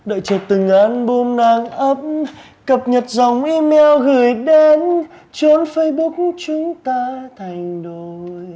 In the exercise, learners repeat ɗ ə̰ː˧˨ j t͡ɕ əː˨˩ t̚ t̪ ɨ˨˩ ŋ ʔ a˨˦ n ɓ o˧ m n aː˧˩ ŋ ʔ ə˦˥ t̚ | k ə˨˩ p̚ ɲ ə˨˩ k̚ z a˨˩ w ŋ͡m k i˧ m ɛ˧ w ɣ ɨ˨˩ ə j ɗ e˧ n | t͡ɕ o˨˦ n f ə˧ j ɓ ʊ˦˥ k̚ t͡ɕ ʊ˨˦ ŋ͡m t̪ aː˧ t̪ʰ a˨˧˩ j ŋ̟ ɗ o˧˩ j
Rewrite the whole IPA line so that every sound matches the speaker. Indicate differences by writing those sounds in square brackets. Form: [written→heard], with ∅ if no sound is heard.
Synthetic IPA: ɗ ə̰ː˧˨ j t͡ɕ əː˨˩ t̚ t̪ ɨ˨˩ ŋ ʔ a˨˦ n ɓ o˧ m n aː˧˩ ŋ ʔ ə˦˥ [t̚→p̚] | k ə˨˩ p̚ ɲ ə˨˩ [k̚→t̚] z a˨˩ w ŋ͡m [k→ʔ] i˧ m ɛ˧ w ɣ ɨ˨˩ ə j ɗ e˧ n | t͡ɕ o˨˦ n f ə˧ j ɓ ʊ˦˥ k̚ t͡ɕ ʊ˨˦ ŋ͡m t̪ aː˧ t̪ʰ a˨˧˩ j ŋ̟ ɗ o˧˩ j